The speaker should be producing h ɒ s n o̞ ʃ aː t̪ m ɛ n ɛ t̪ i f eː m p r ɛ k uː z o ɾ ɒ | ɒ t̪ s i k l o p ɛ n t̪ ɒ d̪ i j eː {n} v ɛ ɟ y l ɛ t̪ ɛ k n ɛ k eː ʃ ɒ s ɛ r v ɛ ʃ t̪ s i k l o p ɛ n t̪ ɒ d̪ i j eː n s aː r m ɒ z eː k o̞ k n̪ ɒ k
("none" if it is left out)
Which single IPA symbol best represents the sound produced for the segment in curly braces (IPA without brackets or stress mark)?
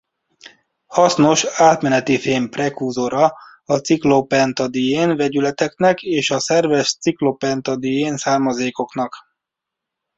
n